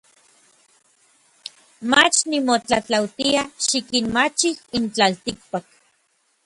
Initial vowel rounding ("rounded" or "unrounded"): unrounded